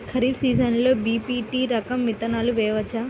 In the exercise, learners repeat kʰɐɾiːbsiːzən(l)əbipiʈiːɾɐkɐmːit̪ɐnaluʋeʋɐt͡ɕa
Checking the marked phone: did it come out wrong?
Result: no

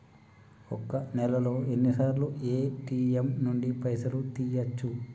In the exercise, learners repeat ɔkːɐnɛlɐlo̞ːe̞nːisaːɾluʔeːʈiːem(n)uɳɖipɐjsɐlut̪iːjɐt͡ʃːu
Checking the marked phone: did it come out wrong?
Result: no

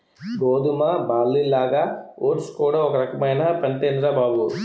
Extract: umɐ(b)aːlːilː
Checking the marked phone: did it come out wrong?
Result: no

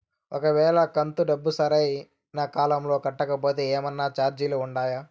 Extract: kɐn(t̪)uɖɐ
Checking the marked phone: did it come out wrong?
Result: no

